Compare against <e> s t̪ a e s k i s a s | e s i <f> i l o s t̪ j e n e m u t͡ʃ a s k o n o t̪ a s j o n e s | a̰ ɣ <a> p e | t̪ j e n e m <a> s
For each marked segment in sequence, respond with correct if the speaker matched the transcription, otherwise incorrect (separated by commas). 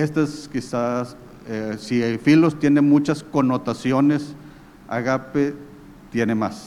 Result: correct, correct, correct, correct